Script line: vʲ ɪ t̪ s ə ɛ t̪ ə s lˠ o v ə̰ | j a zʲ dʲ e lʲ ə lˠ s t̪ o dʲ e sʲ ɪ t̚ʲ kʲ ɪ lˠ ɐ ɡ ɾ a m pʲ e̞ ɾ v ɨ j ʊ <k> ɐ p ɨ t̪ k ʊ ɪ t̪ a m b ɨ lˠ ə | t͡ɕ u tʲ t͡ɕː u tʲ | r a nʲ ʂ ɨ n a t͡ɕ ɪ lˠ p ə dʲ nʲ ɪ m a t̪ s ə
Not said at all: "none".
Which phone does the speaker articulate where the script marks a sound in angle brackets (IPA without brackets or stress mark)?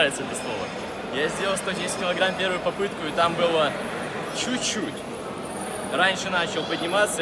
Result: p